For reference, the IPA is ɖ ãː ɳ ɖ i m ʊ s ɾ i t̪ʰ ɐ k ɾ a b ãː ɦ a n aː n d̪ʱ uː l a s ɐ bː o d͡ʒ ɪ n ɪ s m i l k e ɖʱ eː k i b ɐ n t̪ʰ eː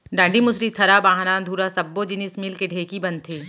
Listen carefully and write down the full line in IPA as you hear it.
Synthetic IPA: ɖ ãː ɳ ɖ i m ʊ s ɾ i t̪ʰ ɐ ɾ a b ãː ɦ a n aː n d̪ʱ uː ɾ a s ɐ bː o d͡ʒ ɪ n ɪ s m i l k e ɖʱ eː k i b ɐ n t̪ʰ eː